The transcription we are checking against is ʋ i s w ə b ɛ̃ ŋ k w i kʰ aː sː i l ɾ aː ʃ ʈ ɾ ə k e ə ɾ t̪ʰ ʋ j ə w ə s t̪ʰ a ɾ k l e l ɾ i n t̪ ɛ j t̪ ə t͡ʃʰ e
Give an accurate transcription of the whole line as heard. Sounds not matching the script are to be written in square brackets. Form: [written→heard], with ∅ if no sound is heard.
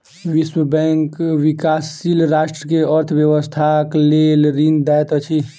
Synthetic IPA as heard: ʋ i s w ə b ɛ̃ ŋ k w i [kʰ→k] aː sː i l ɾ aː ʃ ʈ ɾ ə k e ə ɾ t̪ʰ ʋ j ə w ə s t̪ʰ a [ɾ→∅] k l e l ɾ i n [t̪→d̪] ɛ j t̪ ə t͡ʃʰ [e→i]